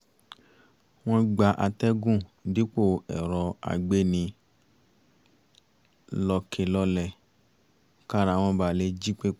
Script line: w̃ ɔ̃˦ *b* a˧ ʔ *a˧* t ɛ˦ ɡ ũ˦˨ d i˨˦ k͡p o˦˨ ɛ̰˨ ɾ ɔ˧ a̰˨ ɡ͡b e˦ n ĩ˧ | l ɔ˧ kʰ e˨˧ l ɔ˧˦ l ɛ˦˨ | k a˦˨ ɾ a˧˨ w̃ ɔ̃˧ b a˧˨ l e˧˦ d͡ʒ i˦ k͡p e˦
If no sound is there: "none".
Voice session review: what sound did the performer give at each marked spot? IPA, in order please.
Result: ɡ͡b, a˧

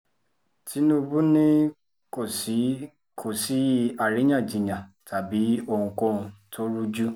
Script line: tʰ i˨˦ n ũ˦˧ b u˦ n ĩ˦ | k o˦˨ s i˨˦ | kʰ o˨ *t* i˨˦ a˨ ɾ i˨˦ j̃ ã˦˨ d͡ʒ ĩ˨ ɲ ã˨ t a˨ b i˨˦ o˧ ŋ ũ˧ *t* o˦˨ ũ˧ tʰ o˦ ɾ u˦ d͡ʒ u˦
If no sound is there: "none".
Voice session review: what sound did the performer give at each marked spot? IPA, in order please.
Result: s, k

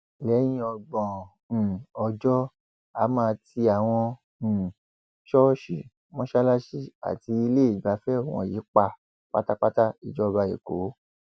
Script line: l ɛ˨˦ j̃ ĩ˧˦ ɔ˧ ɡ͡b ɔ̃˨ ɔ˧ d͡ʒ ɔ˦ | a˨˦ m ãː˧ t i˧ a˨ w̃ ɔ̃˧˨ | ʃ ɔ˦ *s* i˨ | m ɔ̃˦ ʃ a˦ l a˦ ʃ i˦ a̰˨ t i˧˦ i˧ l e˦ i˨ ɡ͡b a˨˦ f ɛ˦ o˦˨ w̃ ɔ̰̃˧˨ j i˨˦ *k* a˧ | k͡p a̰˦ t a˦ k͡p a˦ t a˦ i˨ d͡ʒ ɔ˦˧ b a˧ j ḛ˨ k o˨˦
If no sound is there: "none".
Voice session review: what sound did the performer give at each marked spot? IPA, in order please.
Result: ʃ, k͡p

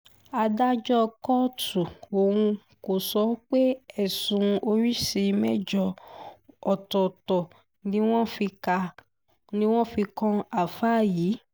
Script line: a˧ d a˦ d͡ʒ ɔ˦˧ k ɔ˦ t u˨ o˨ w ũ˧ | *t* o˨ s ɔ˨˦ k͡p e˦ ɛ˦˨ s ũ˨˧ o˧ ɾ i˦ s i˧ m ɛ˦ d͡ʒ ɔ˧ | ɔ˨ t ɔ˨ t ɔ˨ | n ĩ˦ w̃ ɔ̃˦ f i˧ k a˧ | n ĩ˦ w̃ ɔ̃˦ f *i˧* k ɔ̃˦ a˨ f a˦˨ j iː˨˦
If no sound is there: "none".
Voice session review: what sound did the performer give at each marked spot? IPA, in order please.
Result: k, i˧

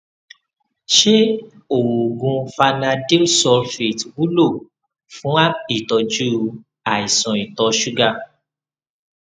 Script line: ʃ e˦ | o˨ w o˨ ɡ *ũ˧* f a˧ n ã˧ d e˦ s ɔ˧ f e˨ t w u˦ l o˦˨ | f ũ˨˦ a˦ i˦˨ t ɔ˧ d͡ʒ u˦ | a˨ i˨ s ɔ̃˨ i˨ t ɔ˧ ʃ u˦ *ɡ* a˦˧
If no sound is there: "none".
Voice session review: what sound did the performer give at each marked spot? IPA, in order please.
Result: ũ˧, ɡ

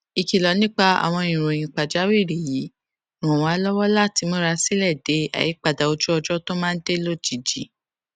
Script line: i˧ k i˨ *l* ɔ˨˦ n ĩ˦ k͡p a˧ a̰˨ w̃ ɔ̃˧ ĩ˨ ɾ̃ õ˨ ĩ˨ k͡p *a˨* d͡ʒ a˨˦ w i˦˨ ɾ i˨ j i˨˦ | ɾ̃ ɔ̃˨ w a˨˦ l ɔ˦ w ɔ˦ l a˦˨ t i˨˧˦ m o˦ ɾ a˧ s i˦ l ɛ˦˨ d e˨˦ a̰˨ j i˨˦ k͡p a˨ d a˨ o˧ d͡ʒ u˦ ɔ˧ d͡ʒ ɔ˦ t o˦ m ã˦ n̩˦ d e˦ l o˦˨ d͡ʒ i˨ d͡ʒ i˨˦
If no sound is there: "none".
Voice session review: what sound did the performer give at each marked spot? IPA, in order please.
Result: l, a˨

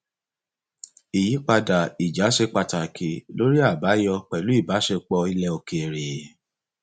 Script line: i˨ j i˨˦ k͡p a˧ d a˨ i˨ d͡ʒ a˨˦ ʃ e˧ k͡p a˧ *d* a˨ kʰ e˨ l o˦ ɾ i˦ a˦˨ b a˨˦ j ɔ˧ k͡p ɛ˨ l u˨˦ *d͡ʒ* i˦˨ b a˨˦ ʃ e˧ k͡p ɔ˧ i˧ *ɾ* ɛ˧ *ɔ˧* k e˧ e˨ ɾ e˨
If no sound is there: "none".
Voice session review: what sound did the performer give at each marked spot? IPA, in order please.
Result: t, none, l, o˧

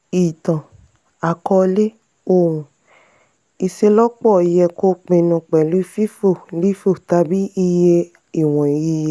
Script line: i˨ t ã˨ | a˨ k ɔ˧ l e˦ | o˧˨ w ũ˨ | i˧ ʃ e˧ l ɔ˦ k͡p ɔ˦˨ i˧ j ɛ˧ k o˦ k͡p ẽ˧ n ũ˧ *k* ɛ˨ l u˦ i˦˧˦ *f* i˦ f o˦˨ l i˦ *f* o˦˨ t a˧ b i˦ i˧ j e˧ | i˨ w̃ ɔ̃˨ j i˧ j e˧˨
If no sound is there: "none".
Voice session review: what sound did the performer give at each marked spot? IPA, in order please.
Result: k͡p, f, f

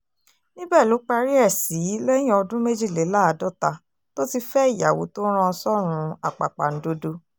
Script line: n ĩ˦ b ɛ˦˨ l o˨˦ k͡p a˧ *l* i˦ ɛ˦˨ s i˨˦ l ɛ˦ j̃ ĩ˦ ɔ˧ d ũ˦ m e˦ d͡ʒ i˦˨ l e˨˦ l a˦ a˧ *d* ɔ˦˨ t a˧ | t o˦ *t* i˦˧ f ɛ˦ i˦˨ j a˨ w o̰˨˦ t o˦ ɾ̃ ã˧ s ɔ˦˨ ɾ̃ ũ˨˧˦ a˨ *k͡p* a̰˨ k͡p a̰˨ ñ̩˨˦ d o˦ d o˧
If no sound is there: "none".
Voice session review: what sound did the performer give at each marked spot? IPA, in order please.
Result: ɾ, d, t, k͡p

